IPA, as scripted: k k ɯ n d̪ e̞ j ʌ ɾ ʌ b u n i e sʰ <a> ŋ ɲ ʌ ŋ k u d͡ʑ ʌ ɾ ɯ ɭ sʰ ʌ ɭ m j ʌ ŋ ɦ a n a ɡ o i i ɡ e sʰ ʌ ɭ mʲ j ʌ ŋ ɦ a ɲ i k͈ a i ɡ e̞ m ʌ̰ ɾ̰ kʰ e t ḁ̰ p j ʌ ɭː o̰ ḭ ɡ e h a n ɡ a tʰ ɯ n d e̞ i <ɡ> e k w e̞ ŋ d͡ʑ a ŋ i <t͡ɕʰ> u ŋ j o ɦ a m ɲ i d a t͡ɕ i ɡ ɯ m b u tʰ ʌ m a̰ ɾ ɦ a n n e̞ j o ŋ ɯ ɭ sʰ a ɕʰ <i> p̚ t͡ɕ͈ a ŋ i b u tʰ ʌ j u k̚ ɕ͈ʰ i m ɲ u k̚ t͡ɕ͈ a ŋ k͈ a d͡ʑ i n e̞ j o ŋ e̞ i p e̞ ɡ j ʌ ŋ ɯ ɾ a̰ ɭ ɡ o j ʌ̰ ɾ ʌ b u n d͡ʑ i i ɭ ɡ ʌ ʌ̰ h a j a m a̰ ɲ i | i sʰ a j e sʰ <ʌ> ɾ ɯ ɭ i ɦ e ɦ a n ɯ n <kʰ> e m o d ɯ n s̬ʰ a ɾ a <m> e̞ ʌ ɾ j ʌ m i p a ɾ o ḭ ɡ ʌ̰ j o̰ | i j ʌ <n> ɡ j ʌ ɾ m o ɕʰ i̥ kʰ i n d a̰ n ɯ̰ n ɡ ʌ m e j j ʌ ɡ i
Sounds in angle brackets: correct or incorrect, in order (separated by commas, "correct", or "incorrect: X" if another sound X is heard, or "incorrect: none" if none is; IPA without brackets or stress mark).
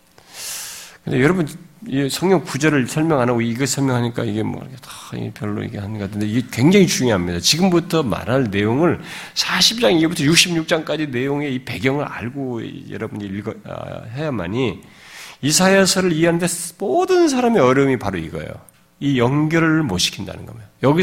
incorrect: ʌ, correct, incorrect: t͡ɕ, correct, correct, incorrect: tʰ, correct, incorrect: ŋ